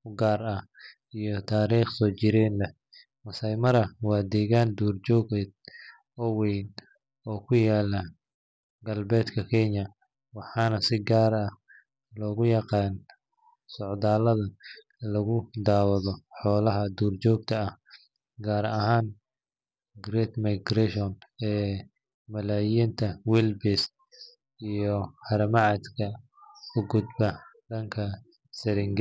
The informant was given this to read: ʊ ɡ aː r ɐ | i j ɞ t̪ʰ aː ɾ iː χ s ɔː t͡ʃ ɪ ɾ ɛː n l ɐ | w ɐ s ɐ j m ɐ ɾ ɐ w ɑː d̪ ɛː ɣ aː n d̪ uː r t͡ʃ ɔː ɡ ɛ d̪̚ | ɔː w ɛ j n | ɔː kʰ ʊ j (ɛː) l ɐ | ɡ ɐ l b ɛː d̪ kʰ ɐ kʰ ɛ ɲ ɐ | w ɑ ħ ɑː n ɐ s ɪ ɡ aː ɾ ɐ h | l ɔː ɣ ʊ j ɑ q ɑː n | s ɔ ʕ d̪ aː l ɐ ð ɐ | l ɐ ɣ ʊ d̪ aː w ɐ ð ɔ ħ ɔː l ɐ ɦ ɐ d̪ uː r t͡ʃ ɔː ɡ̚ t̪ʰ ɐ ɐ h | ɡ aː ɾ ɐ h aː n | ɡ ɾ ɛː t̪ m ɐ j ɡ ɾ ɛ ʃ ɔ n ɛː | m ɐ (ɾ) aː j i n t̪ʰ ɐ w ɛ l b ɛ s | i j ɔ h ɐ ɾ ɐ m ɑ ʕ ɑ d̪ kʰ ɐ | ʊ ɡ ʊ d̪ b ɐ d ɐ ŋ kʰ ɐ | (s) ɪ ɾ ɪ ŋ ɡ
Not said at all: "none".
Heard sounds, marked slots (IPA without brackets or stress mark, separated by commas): aː, l, s